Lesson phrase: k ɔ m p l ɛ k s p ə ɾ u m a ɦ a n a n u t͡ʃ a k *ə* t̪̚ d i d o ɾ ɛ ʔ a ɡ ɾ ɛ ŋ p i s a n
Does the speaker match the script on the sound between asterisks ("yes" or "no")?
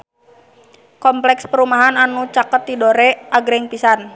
yes